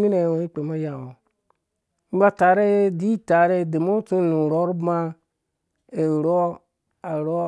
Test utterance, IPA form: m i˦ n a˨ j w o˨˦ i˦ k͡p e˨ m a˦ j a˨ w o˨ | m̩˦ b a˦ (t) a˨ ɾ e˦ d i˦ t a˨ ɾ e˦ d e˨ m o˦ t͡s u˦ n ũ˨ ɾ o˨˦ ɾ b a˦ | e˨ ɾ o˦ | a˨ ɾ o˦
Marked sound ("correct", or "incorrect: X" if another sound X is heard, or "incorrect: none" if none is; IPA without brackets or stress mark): correct